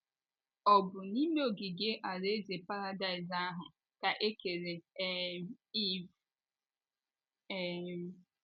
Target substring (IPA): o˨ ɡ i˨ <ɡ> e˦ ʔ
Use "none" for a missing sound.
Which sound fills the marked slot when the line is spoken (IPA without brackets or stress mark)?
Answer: ɡ